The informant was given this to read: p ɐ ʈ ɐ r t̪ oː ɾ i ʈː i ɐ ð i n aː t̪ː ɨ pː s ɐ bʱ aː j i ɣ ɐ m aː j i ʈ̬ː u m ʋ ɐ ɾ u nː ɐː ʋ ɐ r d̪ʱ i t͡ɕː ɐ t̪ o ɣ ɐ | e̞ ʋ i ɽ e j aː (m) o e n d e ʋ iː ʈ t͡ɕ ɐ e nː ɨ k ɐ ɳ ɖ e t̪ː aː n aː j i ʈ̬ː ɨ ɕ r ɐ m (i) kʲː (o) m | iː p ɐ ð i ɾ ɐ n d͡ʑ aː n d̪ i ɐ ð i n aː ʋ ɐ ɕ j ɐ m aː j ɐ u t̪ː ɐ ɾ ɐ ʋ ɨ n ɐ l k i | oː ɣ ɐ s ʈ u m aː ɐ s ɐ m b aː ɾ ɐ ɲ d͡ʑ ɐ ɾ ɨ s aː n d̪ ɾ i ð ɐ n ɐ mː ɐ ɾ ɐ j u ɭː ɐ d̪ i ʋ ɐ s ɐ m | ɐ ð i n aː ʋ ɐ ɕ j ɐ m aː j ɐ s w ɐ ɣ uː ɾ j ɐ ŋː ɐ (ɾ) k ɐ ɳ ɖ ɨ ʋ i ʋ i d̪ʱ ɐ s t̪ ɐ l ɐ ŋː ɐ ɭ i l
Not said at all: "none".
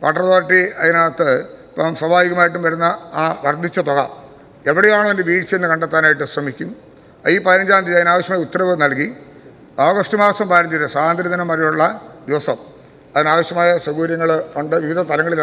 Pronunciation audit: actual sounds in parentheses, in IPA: ɳ, i, u, ɭ

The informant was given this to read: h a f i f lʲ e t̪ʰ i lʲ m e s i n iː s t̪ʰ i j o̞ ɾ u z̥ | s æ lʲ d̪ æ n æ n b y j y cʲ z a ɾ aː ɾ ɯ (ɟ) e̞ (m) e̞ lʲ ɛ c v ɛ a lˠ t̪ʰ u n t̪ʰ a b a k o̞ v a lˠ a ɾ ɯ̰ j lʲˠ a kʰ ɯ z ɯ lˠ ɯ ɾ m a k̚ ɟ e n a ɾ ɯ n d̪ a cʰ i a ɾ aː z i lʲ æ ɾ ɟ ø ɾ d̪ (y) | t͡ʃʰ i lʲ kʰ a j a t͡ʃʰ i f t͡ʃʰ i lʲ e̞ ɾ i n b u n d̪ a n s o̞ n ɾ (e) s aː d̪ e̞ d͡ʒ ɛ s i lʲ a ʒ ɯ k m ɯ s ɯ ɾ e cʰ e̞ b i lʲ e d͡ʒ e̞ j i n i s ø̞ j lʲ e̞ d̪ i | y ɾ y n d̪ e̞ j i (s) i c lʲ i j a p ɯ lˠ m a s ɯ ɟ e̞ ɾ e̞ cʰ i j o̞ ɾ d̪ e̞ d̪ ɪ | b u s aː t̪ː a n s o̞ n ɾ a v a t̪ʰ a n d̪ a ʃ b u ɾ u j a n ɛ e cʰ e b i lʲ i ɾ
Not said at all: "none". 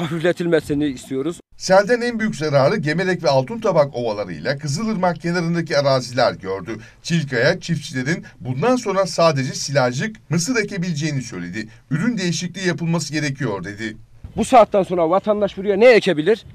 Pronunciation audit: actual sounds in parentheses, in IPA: ɟ, m, y, a, ʃ

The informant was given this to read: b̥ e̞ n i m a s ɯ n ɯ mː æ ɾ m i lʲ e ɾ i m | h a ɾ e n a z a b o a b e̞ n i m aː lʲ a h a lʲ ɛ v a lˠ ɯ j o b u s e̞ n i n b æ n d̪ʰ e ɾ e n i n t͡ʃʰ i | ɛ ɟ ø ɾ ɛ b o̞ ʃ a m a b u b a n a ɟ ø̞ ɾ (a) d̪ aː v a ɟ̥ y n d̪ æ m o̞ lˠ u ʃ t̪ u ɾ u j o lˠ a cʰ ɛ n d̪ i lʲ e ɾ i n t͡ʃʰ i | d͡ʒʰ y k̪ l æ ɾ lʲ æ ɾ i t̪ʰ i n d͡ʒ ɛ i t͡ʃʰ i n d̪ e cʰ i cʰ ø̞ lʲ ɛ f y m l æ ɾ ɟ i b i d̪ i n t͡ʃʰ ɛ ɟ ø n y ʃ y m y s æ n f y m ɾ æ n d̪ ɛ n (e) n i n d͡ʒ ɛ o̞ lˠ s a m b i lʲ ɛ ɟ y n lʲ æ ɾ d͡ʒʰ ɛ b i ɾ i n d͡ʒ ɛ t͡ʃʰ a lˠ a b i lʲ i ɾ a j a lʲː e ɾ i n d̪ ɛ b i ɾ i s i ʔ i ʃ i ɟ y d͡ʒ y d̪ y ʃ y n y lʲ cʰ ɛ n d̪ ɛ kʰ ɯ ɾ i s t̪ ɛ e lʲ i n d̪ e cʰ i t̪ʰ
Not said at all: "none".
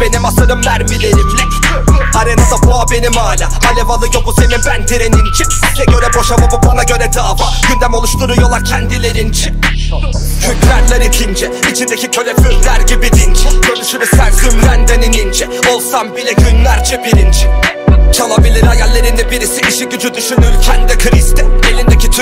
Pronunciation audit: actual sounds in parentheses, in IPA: ɛ, i

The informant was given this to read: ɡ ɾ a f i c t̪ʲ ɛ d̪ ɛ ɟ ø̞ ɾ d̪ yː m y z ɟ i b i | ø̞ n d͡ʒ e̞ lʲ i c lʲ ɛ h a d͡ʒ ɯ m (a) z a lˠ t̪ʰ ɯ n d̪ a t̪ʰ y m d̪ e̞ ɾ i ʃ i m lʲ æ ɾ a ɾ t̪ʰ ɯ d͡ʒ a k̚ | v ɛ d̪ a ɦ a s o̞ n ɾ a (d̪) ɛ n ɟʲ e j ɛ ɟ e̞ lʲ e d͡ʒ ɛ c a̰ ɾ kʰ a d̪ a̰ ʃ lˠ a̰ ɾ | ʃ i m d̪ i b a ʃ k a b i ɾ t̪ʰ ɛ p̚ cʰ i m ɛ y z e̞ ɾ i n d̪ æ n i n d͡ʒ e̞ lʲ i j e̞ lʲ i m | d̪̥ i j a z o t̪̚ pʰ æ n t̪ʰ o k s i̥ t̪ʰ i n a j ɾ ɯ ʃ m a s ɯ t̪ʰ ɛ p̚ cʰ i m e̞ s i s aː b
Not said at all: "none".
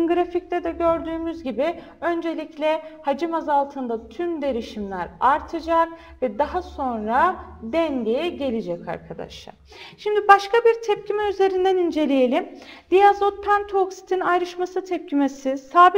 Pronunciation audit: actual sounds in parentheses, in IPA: a, d̪

